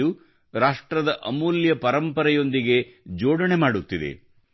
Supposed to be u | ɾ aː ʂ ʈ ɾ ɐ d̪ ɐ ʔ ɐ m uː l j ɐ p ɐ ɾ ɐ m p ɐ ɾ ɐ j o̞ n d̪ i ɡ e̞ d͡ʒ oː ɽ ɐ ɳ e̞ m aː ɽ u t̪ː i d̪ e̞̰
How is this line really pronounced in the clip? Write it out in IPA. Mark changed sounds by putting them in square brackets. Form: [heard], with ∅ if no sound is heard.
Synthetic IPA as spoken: u | ɾ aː ʂ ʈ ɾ ɐ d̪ ɐ ʔ ɐ m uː l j ɐ p ɐ ɾ ɐ m p ɐ ɾ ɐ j o̞ n d̪ i ɡ e̞ d͡ʒ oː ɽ ɐ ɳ e̞ m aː ɽ u t̪ː i d̪ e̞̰